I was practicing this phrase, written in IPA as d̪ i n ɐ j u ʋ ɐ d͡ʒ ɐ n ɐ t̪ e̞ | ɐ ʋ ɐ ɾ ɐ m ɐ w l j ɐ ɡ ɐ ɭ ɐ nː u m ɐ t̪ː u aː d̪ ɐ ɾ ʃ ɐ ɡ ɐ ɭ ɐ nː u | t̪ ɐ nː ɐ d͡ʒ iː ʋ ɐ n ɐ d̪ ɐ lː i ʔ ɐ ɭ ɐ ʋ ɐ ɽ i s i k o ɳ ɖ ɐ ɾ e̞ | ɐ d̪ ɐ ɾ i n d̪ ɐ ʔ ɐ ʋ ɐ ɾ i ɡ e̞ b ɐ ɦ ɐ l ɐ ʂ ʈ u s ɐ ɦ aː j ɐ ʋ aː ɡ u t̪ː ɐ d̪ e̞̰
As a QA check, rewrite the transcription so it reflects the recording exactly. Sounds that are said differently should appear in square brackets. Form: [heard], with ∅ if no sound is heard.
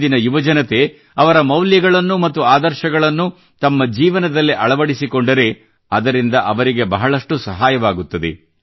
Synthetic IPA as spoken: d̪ i n ɐ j u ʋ ɐ d͡ʒ ɐ n ɐ t̪ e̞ | ɐ ʋ ɐ ɾ ɐ m ɐ w l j ɐ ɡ ɐ ɭ ɐ nː u m ɐ t̪ː u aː d̪ ɐ ɾ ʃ ɐ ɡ ɐ ɭ ɐ nː u | t̪ ɐ [mː] ɐ d͡ʒ iː ʋ ɐ n ɐ d̪ ɐ lː i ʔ ɐ ɭ ɐ ʋ ɐ ɽ i s i k o ɳ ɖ ɐ ɾ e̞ | ɐ d̪ ɐ ɾ i n d̪ ɐ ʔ ɐ ʋ ɐ ɾ i ɡ e̞ b ɐ ɦ ɐ [ɭ] ɐ ʂ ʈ u s ɐ ɦ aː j ɐ ʋ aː ɡ u t̪ː ɐ d̪ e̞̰